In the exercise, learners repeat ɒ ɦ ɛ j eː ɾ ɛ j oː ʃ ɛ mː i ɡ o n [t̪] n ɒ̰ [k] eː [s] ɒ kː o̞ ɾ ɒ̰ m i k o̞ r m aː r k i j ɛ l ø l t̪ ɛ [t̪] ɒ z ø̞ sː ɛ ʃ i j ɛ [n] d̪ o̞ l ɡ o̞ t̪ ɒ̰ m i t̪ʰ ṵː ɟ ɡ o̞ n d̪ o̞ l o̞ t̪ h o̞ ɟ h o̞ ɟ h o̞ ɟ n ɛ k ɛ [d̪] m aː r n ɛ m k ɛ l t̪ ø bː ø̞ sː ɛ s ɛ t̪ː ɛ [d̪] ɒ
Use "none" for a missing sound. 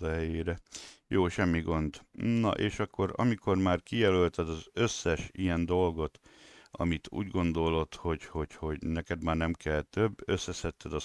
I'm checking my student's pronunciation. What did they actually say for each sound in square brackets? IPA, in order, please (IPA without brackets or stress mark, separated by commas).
d̪, ʔ, ʃ, d̪, n, d̪, d̪